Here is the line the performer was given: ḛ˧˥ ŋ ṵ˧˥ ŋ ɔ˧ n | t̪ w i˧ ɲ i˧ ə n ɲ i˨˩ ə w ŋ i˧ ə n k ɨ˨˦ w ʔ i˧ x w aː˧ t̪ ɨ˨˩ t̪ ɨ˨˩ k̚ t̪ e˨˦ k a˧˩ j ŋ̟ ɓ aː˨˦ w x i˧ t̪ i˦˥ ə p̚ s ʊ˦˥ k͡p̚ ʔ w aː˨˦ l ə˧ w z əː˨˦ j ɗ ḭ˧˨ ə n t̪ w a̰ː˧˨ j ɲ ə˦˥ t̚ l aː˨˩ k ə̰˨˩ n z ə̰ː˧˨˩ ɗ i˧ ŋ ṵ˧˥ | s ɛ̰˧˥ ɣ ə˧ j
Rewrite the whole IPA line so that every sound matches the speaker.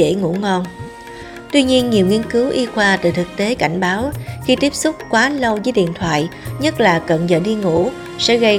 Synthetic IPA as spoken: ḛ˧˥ ŋ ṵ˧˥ ŋ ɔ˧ n | t̪ w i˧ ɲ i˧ ə n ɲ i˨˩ ə w ŋ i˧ ə n k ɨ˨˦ w ʔ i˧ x w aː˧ t̪ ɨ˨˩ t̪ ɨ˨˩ k̚ t̪ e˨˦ k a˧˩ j ŋ̟ ɓ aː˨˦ w x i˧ t̪ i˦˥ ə p̚ s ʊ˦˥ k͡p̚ k w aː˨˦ l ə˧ w z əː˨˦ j ɗ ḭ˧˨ ə n t̪ʰ w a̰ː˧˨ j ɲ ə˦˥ t̚ l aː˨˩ k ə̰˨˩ n z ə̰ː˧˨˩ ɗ i˧ ŋ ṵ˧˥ | s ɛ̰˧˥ ɣ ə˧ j